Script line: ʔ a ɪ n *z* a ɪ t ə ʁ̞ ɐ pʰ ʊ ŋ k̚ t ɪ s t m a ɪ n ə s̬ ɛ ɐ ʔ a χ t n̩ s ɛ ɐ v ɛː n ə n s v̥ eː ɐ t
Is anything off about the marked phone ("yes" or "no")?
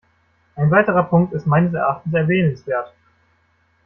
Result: yes